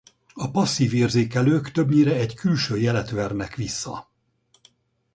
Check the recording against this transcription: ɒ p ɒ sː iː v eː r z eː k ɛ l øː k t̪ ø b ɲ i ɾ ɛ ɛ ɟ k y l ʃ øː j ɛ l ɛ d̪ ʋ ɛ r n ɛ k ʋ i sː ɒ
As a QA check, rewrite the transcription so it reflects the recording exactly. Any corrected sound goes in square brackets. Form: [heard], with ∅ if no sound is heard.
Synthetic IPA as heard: ɒ p ɒ sː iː v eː r z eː k ɛ l øː k t̪ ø b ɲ i ɾ ɛ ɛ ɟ k y l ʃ øː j ɛ l ɛ [t̪] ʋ ɛ r n ɛ k ʋ i sː ɒ